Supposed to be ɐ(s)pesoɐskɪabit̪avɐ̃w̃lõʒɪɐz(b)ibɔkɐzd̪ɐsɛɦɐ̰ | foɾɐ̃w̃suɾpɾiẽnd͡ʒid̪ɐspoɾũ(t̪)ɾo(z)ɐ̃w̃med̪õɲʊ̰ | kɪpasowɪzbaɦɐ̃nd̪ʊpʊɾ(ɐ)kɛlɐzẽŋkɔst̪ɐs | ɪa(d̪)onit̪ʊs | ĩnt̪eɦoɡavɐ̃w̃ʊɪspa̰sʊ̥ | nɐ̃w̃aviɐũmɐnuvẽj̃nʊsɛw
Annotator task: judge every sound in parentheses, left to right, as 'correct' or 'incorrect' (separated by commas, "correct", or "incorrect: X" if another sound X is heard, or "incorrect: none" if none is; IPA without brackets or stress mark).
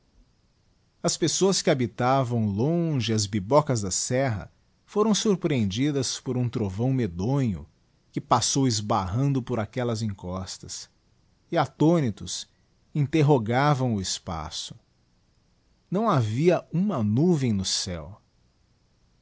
correct, correct, correct, incorrect: v, incorrect: a, incorrect: t̪